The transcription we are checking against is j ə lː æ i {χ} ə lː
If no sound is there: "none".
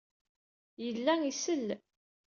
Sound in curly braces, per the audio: s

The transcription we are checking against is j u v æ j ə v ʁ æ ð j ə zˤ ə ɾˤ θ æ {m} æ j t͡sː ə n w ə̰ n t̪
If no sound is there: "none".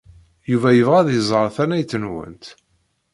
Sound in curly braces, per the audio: n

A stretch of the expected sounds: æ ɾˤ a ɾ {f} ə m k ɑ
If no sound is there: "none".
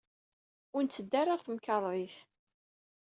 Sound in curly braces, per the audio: θ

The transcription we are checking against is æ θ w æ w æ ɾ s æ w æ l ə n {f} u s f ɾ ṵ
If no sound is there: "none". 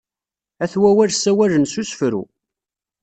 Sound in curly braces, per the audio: s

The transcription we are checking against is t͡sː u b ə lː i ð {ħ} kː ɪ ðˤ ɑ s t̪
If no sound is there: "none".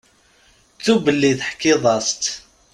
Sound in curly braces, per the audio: ħ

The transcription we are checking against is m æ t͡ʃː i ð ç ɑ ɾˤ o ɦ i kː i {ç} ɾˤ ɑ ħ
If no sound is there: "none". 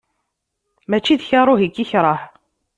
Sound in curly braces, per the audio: ç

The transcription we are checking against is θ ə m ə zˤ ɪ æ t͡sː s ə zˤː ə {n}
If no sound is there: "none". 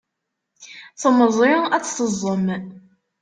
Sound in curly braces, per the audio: m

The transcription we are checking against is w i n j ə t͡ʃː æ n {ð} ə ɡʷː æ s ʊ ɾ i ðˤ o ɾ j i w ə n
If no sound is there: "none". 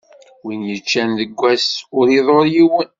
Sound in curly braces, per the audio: ð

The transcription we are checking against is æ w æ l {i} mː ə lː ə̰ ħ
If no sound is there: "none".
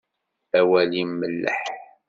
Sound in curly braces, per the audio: i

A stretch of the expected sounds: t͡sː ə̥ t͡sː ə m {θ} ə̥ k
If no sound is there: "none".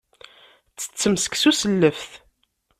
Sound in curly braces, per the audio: s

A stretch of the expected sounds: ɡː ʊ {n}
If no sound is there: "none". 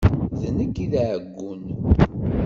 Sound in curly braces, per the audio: n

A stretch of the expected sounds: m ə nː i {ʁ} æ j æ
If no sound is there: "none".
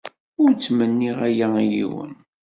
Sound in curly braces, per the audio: ʁ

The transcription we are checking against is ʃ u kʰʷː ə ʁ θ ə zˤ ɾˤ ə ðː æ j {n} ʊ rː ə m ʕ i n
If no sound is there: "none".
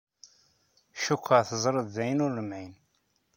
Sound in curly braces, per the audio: n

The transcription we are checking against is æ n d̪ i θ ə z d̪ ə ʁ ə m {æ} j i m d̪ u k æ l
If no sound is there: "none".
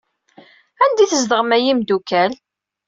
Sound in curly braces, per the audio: æ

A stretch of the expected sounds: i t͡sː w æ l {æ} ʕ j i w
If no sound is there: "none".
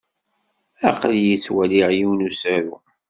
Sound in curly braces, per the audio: i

